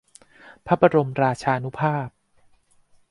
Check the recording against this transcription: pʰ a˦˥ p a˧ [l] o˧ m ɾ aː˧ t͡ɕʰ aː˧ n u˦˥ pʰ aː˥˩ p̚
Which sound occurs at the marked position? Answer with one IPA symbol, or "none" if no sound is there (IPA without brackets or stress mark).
ɾ